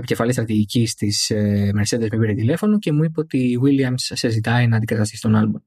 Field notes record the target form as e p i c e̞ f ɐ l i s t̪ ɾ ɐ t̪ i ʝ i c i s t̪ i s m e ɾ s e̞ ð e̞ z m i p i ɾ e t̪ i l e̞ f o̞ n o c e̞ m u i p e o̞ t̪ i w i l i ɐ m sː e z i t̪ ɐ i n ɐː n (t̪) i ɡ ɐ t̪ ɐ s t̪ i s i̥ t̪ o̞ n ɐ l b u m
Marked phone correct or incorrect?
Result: incorrect